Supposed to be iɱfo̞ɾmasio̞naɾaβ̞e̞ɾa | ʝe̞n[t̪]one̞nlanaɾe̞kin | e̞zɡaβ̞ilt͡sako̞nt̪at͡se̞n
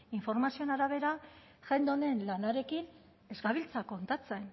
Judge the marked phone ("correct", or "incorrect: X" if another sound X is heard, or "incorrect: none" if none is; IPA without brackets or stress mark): incorrect: d̪